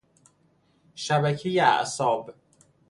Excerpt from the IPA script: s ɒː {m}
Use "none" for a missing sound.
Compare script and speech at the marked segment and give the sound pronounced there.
b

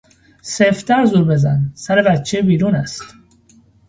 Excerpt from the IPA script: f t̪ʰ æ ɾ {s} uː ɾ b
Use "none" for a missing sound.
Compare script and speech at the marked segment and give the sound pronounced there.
z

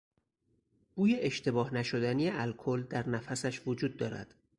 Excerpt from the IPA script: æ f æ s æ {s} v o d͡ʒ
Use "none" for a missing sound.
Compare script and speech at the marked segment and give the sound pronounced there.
ʃ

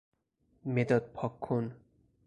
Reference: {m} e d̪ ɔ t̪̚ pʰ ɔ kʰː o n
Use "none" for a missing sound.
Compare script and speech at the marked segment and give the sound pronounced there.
m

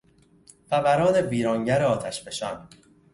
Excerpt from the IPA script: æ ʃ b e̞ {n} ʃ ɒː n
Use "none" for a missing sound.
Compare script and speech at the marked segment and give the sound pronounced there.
none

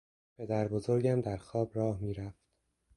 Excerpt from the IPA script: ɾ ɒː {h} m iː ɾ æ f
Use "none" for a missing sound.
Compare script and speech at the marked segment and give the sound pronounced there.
h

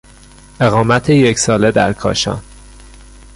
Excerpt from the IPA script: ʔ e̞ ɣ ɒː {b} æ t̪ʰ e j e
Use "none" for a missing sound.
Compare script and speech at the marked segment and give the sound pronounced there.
m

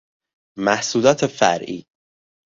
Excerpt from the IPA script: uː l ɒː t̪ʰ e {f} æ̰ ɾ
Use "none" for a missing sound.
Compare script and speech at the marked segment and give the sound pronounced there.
f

